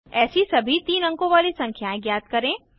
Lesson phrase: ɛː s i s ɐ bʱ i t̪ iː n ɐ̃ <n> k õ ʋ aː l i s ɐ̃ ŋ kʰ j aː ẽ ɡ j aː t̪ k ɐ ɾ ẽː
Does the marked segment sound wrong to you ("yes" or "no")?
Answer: yes